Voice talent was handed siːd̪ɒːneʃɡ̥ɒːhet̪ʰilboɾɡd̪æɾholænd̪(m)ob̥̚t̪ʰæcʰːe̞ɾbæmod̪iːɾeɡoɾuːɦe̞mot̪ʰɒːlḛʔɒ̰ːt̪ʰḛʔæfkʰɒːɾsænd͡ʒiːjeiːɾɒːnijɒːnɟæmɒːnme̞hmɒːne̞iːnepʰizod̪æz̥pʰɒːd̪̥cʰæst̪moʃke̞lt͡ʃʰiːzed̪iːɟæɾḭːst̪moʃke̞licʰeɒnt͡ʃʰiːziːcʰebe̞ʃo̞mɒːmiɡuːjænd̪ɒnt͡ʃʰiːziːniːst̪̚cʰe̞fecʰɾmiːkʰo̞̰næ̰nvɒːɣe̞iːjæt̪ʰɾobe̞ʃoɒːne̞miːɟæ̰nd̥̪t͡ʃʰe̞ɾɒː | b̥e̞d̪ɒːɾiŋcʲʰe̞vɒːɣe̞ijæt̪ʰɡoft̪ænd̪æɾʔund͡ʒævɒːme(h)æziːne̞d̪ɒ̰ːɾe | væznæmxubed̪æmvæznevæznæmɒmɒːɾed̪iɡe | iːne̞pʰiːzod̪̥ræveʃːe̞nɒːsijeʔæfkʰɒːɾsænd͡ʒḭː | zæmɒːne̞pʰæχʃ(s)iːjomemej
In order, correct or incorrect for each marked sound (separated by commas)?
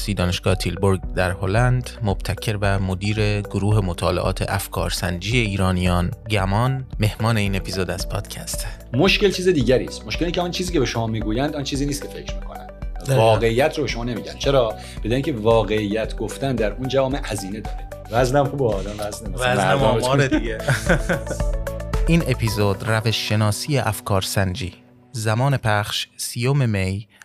correct, correct, correct